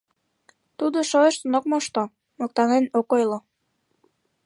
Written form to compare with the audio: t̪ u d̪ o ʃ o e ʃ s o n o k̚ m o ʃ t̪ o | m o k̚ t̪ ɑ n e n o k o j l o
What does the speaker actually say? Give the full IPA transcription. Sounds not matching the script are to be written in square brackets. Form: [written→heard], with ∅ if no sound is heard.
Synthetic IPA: t̪ u d̪ o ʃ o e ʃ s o n o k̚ m o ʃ t̪ o | m o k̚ t̪ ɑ n e n o k o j l o